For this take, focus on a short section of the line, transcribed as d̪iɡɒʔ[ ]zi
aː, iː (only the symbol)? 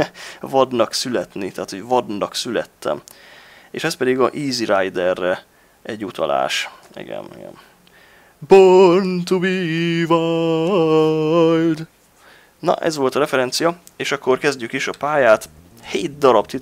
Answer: iː